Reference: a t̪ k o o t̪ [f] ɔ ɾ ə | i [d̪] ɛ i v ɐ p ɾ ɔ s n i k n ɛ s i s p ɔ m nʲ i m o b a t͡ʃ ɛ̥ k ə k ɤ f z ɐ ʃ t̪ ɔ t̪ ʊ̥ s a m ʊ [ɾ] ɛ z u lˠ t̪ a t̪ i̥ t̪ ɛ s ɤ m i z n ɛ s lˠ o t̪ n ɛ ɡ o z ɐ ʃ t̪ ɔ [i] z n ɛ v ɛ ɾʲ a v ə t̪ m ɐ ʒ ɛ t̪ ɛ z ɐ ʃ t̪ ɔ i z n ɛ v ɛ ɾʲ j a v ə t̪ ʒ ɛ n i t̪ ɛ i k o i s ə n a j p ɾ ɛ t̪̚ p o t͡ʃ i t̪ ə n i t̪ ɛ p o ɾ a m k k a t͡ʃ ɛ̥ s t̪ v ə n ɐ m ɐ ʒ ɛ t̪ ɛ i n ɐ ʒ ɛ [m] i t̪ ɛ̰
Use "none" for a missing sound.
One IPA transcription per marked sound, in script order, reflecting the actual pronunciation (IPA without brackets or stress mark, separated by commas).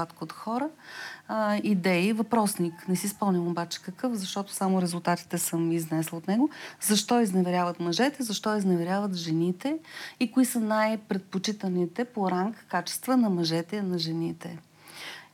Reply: x, d̪, ɾ, i, n